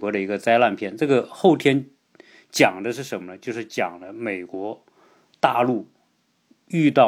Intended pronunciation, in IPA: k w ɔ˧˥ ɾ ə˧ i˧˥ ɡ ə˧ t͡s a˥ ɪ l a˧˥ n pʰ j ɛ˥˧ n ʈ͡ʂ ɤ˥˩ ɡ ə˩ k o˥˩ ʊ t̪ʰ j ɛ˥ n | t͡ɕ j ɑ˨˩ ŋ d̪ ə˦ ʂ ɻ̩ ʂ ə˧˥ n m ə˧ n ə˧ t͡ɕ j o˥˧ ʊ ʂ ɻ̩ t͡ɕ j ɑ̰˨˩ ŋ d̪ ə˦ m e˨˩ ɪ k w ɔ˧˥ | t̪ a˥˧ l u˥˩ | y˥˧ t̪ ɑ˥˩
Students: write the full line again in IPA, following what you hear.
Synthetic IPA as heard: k w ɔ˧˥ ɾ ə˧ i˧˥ ɡ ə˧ t͡s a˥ ɪ l a˥˧ n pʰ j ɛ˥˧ n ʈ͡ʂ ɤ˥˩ ɡ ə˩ x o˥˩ ʊ t̪ʰ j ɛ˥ n | t͡ɕ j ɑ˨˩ ŋ d̪ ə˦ ʂ ɻ̩ ʂ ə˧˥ n m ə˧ n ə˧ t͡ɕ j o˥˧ ʊ ʂ ɻ̩ t͡ɕ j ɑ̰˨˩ ŋ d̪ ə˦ m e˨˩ ɪ k w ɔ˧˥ | t̪ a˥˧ l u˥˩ | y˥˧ t̪ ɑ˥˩